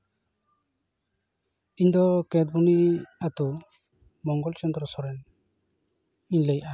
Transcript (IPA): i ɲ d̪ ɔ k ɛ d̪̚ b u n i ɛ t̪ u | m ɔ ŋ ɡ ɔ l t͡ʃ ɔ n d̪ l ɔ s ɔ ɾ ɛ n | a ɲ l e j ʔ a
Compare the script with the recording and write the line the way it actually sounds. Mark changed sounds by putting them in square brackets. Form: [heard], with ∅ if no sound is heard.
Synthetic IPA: i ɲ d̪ ɔ k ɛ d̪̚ b u n i [a] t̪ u | m ɔ ŋ ɡ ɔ l t͡ʃ ɔ n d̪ [ɾ] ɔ s ɔ ɾ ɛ n | [i] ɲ l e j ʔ a